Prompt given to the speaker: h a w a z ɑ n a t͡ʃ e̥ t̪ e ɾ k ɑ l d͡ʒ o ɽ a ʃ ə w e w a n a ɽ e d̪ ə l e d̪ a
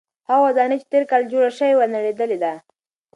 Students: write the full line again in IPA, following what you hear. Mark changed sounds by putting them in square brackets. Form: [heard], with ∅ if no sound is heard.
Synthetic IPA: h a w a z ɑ n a t͡ʃ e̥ t̪ e ɾ k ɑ l d͡ʒ o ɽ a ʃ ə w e w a n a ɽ e d̪ ə l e d̪ a